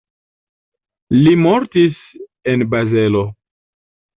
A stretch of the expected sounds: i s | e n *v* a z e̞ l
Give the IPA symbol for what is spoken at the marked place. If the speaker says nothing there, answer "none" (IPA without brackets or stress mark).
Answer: b